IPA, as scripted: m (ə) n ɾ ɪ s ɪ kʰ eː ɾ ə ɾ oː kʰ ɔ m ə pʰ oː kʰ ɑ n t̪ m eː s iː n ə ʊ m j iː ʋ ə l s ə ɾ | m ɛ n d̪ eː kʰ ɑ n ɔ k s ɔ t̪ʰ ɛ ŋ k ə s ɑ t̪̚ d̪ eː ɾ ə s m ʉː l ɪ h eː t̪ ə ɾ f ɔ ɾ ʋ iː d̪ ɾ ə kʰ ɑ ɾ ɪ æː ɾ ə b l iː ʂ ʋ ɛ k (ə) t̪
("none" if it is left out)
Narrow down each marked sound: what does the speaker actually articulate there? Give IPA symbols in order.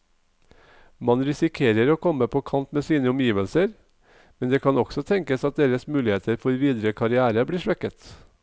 ɑ, ə

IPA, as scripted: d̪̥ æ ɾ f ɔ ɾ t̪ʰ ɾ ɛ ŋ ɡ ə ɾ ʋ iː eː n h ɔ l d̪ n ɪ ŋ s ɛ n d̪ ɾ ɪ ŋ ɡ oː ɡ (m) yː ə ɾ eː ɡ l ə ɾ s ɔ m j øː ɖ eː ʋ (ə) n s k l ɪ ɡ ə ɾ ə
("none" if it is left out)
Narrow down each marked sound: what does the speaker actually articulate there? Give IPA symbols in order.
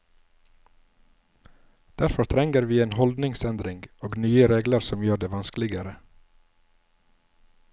n, ɑ

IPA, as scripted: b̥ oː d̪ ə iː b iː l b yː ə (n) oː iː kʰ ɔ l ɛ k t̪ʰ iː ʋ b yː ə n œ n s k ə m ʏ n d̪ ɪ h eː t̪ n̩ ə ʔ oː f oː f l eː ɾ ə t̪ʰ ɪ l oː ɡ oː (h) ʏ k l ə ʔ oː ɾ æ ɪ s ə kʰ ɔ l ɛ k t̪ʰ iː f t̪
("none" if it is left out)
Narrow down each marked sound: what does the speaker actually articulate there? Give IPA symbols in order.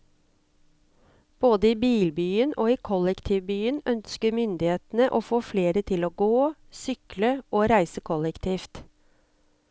n, s

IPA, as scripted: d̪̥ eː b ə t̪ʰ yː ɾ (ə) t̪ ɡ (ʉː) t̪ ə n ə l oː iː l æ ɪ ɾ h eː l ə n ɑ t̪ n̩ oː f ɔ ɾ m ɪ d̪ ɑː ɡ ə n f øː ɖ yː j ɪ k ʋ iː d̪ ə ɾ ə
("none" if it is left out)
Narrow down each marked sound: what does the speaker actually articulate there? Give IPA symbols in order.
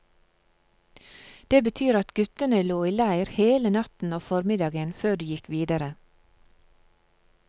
ɑ, ʉ

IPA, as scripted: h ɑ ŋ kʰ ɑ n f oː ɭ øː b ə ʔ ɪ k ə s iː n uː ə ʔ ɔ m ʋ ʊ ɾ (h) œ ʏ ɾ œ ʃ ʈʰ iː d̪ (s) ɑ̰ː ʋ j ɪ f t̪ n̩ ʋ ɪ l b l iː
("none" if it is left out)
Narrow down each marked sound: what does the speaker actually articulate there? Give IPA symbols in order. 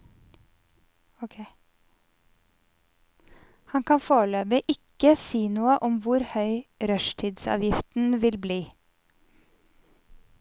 h, s

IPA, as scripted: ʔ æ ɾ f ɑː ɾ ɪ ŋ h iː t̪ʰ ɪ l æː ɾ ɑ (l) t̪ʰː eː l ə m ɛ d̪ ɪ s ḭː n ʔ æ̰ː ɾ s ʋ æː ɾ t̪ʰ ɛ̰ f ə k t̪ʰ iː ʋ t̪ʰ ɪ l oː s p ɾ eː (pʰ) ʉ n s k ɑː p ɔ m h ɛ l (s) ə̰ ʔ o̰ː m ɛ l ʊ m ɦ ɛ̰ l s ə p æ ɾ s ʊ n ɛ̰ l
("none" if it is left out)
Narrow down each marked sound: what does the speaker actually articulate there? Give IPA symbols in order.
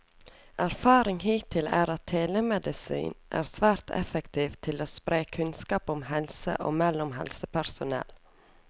none, kʰ, s

